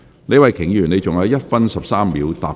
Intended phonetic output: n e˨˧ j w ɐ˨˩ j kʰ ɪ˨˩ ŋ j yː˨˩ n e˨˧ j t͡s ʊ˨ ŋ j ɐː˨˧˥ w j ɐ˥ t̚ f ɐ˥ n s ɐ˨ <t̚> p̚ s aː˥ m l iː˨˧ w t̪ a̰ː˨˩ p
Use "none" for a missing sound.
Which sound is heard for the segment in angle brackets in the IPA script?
none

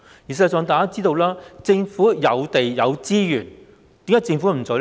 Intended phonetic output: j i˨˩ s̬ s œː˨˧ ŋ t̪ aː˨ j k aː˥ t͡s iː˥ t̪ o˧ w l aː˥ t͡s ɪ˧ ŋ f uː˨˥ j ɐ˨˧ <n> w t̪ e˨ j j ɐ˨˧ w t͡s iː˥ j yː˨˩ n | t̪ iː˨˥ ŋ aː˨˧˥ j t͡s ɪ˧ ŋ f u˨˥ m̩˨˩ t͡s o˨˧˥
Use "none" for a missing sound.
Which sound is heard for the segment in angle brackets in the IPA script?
none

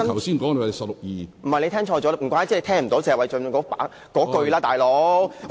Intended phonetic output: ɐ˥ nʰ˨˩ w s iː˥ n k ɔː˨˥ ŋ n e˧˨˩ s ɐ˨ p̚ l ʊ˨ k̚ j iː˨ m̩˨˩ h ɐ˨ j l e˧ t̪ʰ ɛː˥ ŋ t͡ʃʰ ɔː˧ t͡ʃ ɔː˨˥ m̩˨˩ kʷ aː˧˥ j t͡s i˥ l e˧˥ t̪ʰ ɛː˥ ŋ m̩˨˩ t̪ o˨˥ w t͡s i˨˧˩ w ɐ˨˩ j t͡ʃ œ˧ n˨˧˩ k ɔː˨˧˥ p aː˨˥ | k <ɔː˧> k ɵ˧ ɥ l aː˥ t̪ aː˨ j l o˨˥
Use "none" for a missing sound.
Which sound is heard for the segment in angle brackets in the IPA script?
ɔː˨˥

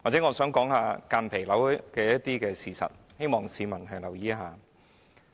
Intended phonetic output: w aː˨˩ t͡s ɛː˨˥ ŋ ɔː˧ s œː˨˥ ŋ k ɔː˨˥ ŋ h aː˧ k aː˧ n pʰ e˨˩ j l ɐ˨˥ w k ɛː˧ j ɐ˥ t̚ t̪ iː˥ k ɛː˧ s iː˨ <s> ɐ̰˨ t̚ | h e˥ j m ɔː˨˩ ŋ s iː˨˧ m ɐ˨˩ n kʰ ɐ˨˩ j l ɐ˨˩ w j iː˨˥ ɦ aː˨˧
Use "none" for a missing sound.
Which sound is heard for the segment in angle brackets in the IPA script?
s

